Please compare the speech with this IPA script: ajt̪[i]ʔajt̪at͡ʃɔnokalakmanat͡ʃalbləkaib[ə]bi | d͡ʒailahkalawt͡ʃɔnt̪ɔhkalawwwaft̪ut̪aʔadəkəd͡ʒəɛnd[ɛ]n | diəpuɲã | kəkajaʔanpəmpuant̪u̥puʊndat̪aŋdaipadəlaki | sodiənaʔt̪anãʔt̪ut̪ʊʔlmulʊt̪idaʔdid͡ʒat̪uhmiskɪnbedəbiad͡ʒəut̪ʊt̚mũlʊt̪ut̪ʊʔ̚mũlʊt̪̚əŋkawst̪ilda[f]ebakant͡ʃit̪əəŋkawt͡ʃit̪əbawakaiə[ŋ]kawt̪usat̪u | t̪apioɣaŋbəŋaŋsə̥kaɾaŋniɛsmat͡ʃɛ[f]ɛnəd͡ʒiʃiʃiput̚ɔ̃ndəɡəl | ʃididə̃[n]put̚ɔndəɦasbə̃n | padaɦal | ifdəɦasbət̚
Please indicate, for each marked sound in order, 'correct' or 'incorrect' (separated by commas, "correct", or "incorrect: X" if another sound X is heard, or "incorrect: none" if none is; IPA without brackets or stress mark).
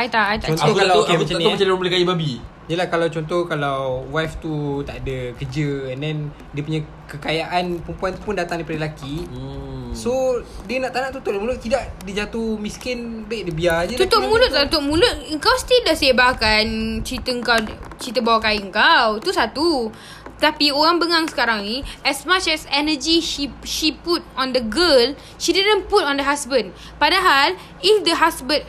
incorrect: a, incorrect: a, correct, incorrect: s, correct, incorrect: s, correct